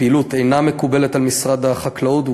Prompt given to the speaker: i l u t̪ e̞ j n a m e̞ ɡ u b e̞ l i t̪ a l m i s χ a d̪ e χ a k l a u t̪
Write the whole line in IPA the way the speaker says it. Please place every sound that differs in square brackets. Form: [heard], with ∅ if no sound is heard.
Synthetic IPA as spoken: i l u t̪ e̞ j n a m e̞ [k] u b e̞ l [e] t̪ a l m i s [ʁ] a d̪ [a] χ a k l a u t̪